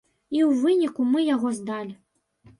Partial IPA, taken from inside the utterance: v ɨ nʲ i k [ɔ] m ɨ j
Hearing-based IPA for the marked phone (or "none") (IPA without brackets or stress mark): u